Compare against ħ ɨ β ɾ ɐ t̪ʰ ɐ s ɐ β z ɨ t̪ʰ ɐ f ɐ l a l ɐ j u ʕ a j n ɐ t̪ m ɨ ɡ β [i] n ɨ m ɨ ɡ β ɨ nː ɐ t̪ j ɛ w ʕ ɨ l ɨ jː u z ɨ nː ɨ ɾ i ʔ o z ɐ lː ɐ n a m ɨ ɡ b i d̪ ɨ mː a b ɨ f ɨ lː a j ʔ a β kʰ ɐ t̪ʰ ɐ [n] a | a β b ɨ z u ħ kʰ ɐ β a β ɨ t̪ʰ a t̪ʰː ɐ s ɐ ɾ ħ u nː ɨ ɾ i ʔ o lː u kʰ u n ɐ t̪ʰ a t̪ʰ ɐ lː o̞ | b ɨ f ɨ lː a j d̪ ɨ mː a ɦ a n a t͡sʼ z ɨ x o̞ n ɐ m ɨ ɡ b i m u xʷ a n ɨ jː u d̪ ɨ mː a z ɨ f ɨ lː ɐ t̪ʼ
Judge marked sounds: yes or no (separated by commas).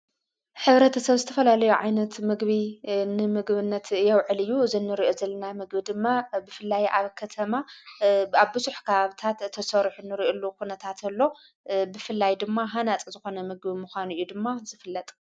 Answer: yes, no